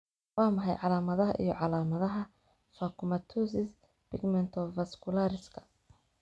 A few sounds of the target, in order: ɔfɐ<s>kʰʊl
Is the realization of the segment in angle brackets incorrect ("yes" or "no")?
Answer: no